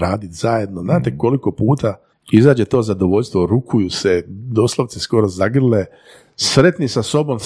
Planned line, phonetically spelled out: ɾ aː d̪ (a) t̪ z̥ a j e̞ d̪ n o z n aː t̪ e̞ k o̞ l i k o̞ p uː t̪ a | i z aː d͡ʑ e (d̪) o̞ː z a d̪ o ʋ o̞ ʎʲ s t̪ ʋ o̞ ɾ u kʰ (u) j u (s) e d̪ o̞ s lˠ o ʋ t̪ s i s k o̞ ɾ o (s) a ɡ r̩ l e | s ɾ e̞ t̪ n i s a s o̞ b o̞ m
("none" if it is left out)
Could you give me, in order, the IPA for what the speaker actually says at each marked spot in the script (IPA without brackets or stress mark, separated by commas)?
i, t̪, u, s, z